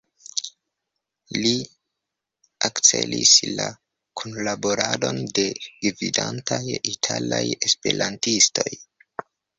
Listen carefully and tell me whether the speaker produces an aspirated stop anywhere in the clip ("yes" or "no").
yes